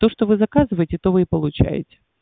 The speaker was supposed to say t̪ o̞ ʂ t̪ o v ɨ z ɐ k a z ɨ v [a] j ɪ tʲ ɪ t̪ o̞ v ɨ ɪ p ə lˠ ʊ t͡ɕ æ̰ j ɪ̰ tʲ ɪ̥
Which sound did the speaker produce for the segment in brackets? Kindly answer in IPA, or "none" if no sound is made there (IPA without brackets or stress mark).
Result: ə